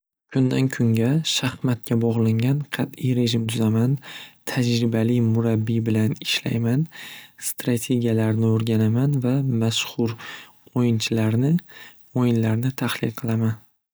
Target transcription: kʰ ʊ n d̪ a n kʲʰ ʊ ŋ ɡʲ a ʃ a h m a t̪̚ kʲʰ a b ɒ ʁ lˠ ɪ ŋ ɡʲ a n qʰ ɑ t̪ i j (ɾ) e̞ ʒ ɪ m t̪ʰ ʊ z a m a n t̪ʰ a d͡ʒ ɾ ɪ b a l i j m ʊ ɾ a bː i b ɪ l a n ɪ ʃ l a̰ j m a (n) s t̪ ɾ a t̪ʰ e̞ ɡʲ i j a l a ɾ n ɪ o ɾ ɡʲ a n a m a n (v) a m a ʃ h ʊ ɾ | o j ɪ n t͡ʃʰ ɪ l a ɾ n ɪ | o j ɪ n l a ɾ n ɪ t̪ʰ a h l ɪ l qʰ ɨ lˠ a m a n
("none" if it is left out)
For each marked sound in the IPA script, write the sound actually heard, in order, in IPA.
ɾ, n, v

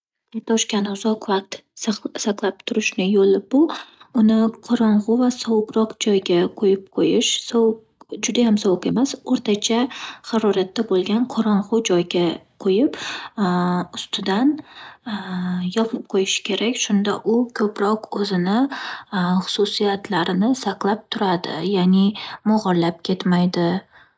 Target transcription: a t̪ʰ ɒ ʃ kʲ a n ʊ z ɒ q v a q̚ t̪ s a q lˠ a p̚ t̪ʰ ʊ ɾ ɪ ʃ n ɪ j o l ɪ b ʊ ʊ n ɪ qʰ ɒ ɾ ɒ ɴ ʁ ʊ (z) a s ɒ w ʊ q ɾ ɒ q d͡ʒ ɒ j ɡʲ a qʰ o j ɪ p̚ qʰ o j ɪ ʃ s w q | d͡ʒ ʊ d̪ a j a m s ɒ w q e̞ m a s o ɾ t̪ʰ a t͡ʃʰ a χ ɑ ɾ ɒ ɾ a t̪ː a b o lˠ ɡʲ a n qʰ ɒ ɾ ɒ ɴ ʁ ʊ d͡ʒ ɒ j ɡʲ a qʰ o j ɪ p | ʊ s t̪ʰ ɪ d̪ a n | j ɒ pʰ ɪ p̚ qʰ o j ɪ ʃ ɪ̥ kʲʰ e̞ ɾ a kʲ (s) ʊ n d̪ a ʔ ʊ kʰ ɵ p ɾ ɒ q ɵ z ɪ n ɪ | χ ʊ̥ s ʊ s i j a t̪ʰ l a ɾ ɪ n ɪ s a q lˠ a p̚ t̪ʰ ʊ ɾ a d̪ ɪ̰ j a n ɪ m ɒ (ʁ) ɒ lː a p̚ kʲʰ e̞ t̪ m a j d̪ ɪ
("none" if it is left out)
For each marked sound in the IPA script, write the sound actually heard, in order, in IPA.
v, ʃ, ʁ

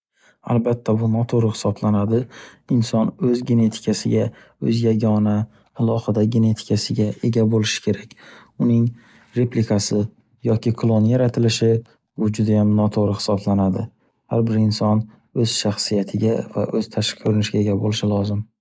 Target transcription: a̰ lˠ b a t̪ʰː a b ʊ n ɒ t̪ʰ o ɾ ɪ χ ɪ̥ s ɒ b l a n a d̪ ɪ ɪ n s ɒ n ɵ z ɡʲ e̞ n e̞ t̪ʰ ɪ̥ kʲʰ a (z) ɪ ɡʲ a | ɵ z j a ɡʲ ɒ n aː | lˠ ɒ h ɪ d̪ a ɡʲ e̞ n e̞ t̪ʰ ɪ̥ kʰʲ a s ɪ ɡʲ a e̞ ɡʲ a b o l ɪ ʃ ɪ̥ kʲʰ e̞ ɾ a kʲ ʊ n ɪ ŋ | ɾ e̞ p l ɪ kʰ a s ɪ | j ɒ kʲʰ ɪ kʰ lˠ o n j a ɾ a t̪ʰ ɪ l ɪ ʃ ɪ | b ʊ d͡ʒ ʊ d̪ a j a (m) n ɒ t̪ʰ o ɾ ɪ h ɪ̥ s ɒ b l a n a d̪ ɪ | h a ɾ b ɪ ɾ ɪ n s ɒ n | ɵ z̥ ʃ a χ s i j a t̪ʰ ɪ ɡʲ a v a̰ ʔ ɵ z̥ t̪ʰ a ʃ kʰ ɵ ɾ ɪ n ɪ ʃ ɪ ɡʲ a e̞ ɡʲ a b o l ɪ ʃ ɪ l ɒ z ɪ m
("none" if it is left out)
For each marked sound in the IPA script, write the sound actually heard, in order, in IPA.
s, m

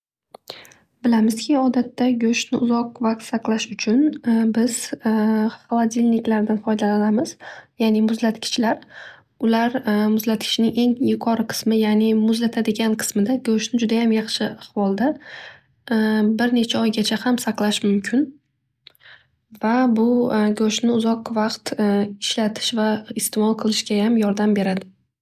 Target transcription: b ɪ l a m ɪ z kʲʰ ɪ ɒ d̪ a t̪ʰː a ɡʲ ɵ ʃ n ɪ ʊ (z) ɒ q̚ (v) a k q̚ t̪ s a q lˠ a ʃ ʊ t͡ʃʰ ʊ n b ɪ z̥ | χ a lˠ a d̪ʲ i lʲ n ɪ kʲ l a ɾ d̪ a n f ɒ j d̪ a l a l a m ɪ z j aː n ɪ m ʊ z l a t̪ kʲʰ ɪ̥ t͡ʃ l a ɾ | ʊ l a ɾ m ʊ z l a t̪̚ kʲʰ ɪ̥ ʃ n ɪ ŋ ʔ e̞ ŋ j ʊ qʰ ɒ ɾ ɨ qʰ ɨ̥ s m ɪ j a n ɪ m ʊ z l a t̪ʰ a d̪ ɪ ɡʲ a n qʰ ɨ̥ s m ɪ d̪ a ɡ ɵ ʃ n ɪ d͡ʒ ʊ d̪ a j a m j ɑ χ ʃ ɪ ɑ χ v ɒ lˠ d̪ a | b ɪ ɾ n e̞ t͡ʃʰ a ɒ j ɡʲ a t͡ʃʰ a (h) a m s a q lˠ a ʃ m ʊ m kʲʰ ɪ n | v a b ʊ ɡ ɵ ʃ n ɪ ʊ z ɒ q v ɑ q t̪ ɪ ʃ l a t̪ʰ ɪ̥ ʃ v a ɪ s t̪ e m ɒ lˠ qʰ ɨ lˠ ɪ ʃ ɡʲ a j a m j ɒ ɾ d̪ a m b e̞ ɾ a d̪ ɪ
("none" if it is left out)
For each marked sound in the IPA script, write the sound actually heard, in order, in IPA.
z, v, h

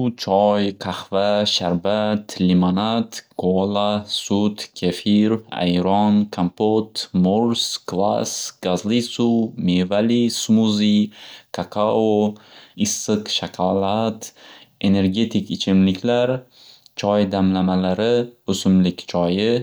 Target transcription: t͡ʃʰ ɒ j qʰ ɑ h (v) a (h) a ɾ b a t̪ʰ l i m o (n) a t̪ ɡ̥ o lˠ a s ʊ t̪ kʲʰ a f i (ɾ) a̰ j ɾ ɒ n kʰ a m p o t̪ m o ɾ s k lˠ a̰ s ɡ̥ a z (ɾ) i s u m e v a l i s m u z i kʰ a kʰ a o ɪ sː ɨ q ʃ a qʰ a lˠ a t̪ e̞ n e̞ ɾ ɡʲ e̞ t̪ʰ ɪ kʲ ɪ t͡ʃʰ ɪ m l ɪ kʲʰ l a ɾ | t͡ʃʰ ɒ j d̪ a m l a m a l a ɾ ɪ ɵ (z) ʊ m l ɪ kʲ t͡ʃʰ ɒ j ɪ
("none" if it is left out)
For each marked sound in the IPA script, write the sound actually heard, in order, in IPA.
v, ʃ, n, ɾ, l, s

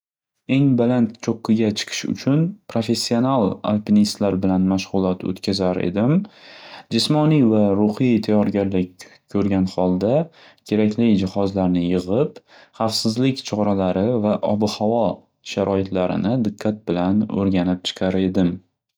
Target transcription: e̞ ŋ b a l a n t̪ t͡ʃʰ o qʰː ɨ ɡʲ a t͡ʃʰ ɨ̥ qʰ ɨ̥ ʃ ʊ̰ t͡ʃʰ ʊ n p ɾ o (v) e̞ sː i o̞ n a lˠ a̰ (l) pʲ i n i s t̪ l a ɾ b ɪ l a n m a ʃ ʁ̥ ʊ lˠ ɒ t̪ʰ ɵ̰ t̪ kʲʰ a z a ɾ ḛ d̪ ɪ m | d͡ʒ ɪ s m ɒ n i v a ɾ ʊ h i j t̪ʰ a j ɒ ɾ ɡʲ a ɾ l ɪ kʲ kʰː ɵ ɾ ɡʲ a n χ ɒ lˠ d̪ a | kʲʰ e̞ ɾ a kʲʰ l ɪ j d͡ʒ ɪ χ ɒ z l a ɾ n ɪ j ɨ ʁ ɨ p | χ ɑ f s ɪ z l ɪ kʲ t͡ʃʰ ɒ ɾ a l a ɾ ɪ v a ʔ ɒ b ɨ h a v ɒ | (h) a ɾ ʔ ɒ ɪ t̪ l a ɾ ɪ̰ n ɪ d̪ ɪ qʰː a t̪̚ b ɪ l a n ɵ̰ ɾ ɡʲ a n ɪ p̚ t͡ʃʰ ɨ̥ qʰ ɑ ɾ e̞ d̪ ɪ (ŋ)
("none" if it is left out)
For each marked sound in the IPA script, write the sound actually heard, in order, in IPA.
f, l, ʃ, m

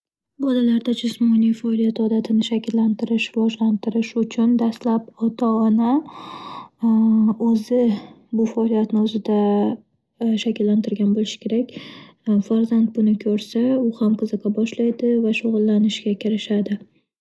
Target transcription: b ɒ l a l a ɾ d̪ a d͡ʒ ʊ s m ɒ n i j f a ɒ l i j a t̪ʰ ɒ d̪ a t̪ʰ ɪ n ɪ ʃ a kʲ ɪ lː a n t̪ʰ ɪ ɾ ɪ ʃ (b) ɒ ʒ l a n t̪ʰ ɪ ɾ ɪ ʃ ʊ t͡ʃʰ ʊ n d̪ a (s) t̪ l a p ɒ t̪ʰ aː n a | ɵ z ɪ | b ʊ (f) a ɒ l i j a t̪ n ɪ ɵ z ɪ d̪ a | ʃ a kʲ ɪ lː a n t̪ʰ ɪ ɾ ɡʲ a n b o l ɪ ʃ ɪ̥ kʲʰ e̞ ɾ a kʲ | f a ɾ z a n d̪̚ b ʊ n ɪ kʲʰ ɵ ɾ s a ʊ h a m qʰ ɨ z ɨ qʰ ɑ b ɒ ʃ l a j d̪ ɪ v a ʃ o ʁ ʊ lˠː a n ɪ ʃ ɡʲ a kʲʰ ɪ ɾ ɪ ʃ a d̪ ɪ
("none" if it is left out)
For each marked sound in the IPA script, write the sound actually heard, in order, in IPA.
v, s, f

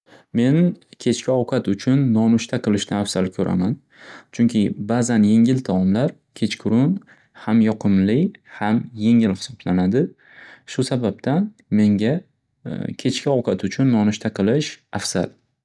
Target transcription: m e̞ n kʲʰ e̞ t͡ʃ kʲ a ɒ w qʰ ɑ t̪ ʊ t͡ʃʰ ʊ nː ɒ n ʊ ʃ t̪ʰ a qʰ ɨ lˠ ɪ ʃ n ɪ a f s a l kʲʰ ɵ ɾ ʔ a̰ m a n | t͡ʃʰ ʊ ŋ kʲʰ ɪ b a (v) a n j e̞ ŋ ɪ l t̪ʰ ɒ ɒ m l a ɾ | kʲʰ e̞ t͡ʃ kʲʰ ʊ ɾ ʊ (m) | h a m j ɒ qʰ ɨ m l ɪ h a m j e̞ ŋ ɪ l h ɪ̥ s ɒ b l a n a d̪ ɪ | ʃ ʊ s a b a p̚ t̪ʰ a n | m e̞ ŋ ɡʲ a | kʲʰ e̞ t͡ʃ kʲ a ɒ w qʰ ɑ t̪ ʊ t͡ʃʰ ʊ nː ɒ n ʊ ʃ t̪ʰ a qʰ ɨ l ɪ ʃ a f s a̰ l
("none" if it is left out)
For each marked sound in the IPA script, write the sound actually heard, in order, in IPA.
z, n

